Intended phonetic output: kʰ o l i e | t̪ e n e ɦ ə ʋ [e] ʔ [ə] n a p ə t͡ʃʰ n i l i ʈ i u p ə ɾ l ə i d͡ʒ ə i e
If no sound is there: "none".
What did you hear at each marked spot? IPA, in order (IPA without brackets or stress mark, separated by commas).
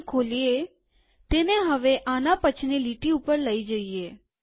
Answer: e, a